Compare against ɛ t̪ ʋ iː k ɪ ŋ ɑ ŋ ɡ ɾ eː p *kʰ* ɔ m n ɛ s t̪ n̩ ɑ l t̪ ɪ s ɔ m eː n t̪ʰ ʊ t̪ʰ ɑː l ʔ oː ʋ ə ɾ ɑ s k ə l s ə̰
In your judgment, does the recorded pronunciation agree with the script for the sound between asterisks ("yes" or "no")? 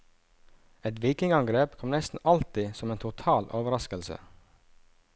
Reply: yes